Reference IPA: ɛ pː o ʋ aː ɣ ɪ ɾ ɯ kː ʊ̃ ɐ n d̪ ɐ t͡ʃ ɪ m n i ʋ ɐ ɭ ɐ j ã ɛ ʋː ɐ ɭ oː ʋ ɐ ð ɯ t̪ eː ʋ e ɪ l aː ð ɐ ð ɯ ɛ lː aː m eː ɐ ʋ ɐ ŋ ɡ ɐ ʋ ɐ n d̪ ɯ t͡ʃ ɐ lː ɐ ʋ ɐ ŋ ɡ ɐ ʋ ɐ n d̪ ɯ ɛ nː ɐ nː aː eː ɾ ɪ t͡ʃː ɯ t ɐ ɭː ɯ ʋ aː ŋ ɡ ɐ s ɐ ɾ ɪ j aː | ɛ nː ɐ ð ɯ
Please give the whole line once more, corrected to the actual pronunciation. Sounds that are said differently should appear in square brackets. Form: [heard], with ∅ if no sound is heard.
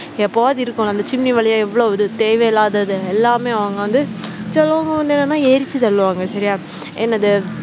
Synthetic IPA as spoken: ɛ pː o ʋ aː [ð] ɪ ɾ ɯ kː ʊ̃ ɐ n d̪ ɐ t͡ʃ ɪ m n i ʋ ɐ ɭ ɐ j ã ɛ ʋː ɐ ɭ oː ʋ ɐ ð ɯ t̪ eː ʋ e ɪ l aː ð ɐ ð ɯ ɛ lː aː m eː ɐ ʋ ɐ ŋ ɡ ɐ ʋ ɐ n d̪ ɯ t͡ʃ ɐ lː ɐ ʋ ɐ ŋ ɡ ɐ ʋ ɐ n d̪ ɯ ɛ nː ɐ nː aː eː ɾ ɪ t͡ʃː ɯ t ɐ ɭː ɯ ʋ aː ŋ ɡ ɐ s ɐ ɾ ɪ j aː | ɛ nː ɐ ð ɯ